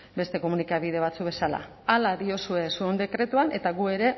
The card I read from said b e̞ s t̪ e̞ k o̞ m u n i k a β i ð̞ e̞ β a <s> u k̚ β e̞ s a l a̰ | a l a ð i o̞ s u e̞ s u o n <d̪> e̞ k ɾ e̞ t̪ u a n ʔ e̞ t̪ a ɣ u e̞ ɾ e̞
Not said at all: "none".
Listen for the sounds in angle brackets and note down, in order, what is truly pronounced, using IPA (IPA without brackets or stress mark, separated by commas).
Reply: t͡s, d̪